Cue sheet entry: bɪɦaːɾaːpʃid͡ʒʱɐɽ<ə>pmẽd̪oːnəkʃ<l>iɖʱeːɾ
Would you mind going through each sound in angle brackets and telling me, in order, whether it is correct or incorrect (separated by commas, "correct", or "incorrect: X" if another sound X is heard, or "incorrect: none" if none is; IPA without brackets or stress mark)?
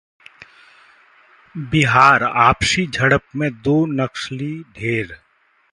correct, correct